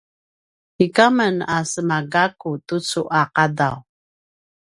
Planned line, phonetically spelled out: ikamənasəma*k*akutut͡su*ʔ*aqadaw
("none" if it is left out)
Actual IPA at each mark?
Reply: ɡ, ʔ

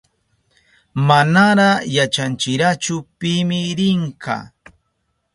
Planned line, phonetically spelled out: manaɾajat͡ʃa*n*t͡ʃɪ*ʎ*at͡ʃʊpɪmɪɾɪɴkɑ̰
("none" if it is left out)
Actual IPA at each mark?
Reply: n, ɾ

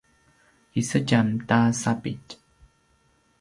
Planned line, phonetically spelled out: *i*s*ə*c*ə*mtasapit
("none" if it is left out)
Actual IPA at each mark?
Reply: i, ə, a

